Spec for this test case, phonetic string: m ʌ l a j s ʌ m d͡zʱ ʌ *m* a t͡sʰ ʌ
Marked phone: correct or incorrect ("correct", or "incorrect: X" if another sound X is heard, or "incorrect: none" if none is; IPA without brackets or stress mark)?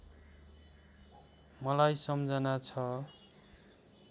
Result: incorrect: n